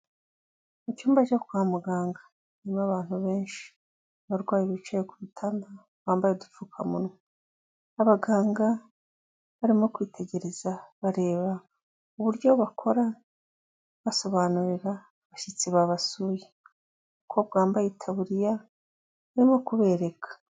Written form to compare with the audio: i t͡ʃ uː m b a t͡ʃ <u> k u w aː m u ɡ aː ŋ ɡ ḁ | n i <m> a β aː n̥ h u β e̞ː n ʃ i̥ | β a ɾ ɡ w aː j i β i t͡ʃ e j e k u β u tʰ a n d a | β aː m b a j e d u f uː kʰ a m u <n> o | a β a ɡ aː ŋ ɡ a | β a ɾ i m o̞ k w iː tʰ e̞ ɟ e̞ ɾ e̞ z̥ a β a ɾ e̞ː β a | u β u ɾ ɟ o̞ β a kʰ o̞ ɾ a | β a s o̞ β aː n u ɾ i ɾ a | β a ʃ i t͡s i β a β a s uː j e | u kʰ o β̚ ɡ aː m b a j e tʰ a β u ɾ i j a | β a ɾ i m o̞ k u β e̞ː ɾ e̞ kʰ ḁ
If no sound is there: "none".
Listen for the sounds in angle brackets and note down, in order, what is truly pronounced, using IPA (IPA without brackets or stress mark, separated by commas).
o, m, n